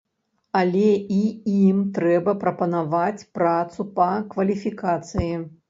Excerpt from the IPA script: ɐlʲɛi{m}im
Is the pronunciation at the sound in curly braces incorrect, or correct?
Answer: incorrect